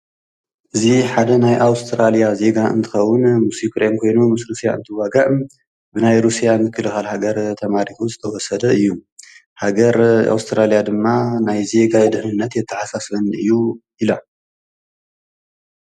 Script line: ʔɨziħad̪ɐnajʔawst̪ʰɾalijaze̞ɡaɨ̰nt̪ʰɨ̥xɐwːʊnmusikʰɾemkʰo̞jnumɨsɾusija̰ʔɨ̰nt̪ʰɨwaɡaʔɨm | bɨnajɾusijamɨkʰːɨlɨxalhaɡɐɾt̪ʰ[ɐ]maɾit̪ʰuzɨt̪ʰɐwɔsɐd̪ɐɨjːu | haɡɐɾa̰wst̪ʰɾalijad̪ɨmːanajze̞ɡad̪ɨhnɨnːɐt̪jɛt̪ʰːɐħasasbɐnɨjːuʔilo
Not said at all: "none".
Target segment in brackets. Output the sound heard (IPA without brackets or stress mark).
ɐ